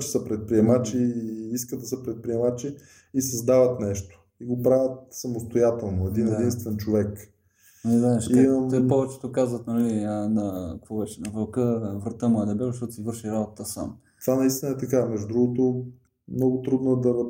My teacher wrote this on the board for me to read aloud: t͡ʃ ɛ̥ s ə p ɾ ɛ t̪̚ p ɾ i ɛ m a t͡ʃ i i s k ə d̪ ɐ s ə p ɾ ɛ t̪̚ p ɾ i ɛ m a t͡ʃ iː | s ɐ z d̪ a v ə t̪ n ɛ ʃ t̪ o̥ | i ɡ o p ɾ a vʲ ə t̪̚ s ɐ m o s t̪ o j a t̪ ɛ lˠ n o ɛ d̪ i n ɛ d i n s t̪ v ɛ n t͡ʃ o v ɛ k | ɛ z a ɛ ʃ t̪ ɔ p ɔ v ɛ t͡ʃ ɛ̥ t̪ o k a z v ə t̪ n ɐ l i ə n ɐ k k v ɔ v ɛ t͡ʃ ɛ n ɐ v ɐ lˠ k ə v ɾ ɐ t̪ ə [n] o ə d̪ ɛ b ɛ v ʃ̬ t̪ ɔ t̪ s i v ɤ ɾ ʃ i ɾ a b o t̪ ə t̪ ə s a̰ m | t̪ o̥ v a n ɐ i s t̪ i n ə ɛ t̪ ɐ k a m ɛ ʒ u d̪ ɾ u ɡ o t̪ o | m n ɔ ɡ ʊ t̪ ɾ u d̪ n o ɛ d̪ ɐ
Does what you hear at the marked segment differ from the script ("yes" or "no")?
yes